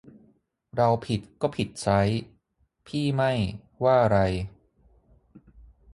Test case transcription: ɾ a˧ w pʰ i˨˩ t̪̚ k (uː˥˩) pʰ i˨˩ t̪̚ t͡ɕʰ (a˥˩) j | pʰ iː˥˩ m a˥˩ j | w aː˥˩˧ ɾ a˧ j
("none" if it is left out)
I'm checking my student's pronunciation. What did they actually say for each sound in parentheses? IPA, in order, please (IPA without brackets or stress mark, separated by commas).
ɔː˥˩, a˦˥